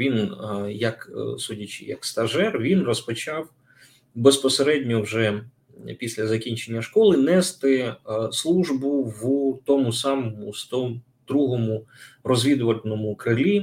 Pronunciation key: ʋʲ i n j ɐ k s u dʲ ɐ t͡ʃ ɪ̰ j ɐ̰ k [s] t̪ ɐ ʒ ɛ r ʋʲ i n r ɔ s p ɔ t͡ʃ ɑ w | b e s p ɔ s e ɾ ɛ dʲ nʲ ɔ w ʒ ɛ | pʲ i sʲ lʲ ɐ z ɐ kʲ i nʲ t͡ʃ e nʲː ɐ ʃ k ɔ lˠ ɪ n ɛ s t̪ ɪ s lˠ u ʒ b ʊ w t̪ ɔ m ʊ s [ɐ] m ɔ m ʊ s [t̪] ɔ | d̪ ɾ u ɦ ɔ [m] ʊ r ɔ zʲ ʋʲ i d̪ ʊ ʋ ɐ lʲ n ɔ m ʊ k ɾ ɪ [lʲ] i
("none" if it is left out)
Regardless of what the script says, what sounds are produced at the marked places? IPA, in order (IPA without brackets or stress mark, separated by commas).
s, ɑ, t̪, m, lʲ